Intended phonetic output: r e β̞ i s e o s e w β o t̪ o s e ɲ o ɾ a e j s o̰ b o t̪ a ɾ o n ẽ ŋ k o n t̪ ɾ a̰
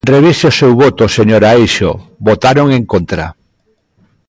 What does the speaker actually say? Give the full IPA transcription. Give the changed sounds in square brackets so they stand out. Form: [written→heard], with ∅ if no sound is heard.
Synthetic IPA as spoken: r e β̞ i s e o s e w β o t̪ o s e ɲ o ɾ a e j [s→ʃ] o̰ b o t̪ a ɾ o [n→ŋ] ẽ ŋ k o n t̪ ɾ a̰